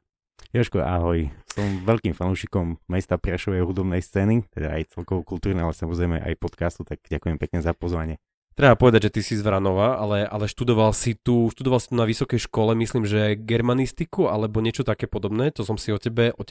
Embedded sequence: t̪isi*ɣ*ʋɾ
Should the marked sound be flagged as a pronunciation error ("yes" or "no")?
yes